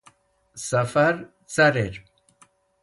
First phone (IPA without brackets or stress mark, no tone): s